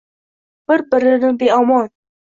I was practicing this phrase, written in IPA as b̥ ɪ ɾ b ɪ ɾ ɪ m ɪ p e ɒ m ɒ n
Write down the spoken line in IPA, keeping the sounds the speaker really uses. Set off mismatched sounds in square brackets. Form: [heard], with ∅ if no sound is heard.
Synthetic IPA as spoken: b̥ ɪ ɾ b ɪ ɾ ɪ [n] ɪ [b] e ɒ m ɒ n